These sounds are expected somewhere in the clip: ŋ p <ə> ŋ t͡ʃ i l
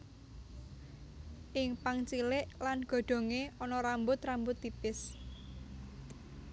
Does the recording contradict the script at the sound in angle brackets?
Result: yes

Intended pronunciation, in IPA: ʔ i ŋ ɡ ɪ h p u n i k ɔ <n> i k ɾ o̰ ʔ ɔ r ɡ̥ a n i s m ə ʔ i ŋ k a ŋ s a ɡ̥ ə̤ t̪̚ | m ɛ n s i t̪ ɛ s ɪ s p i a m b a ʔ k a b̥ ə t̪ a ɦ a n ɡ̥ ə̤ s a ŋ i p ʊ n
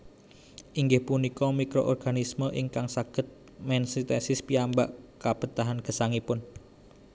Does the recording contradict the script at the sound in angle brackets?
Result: yes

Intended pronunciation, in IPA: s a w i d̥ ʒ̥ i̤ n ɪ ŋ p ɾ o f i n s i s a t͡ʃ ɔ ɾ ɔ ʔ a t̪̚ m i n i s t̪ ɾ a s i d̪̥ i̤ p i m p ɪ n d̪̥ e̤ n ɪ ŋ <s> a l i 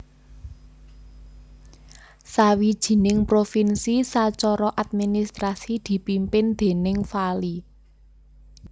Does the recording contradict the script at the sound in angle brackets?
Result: yes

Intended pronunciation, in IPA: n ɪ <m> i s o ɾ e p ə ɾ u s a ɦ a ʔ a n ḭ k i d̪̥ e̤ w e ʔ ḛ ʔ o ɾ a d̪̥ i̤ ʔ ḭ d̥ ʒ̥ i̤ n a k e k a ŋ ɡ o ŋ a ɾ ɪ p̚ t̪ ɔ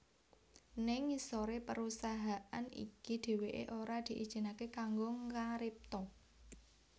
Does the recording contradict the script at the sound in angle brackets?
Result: yes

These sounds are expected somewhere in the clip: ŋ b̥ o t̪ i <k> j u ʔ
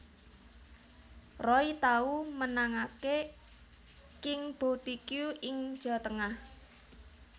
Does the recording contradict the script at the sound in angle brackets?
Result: no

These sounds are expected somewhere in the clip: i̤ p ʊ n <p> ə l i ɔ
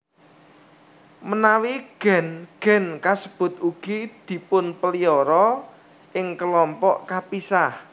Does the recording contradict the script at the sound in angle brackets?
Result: no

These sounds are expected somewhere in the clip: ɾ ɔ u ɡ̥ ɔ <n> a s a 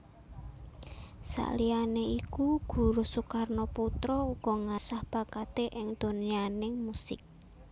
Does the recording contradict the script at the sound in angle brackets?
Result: yes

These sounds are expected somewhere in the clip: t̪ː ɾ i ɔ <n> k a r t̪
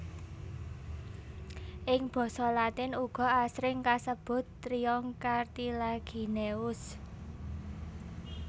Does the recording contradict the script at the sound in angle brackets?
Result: yes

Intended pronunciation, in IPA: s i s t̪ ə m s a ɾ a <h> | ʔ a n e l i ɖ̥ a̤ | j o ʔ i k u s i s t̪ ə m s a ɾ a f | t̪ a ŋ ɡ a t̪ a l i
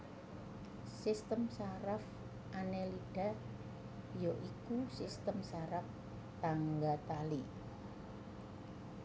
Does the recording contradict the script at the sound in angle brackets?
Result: yes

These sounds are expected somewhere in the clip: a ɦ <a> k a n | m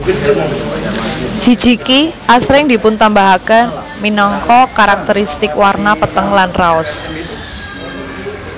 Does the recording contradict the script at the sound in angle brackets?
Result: no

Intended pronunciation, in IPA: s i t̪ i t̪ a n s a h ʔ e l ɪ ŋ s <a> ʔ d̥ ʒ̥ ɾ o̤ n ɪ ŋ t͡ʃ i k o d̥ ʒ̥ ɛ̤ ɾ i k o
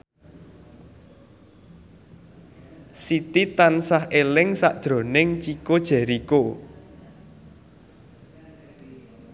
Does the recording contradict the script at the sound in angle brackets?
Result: no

